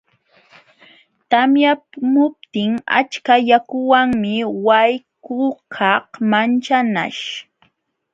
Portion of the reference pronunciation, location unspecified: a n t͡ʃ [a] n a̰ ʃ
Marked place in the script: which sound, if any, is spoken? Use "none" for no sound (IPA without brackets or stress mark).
a